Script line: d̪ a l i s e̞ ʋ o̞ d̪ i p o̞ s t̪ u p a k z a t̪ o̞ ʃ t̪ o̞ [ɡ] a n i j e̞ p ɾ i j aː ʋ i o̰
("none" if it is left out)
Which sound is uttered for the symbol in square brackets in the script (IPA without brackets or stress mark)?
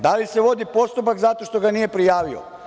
ɡ